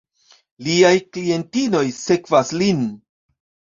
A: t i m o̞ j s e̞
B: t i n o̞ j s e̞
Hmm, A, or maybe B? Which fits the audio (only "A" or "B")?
B